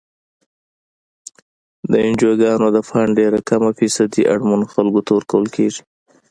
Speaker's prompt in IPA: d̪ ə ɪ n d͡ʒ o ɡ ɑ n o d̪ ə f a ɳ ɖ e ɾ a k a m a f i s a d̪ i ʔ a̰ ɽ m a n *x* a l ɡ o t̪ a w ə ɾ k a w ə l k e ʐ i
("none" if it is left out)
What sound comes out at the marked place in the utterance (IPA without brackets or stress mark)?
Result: x